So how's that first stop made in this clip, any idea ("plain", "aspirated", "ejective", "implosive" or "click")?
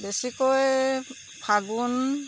plain